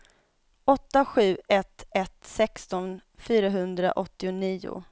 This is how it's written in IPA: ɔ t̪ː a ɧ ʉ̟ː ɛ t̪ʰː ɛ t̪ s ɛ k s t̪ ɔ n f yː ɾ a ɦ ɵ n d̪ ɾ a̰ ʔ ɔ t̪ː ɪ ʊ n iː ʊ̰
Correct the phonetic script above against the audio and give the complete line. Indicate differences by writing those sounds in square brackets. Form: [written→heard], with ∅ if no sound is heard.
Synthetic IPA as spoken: ɔ t̪ː a ɧ ʉ̟ː ɛ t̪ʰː ɛ t̪ s ɛ k s t̪ ɔ n f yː ɾ a ɦ ɵ n d̪ ɾ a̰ ʔ ɔ t̪ː ɪ ʊ n iː ʊ̰